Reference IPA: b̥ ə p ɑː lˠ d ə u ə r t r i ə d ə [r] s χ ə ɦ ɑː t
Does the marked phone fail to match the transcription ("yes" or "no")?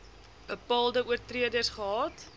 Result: no